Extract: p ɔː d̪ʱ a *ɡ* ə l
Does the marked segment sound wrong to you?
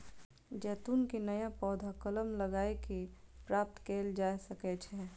yes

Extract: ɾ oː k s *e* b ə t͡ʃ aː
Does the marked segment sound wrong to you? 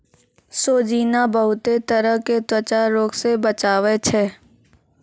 no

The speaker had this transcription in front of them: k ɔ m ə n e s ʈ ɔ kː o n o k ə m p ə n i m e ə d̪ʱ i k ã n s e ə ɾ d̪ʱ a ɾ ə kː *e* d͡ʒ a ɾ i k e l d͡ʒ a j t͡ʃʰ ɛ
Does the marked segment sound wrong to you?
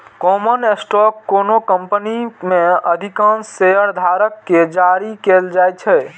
no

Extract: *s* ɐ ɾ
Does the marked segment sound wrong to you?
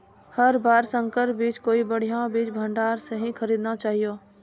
yes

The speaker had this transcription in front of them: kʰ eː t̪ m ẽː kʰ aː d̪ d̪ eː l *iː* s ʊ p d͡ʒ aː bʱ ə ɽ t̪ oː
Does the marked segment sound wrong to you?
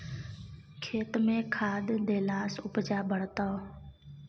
yes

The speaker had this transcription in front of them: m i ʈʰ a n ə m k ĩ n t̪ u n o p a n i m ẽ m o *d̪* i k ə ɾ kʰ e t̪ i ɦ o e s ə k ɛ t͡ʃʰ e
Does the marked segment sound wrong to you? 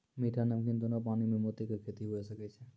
yes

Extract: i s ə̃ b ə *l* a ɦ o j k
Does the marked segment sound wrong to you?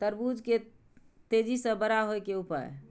yes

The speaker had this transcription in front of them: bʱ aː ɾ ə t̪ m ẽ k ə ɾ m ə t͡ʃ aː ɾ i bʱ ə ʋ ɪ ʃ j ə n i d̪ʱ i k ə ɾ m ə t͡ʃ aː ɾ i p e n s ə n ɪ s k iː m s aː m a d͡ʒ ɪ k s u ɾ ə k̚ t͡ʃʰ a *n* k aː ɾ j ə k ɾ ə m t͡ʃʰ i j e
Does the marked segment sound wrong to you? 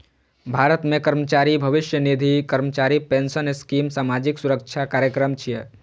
yes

